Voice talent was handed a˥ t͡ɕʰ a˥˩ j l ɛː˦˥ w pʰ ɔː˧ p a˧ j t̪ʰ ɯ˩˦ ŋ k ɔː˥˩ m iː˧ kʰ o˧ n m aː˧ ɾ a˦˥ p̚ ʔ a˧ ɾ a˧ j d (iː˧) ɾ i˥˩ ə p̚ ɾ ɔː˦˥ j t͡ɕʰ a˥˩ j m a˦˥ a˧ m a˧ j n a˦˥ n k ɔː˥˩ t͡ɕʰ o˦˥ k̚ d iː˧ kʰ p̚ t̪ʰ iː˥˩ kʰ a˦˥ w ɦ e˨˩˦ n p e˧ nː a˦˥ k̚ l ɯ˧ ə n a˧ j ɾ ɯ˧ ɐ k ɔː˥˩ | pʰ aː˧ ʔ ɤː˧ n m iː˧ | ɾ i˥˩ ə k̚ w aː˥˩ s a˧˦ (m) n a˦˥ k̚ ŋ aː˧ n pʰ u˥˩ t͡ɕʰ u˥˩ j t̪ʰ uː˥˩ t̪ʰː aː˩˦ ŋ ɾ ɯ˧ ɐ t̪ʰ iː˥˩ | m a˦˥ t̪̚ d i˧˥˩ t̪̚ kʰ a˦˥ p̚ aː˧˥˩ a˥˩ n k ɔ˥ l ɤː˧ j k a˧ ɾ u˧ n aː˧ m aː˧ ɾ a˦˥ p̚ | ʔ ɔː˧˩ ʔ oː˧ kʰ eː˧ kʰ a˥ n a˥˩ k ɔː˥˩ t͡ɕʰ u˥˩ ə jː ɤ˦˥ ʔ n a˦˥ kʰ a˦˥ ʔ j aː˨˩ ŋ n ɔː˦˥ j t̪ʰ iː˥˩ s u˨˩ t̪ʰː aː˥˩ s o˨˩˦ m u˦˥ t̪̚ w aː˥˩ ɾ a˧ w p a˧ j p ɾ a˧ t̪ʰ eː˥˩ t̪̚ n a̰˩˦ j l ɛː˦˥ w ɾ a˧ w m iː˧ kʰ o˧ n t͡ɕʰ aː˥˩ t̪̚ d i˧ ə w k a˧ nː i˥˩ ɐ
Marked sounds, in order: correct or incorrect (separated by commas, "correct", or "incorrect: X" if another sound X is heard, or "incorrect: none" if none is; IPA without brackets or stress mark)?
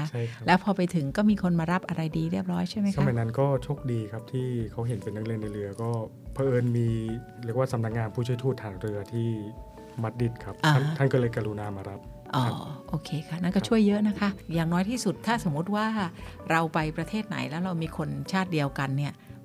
correct, correct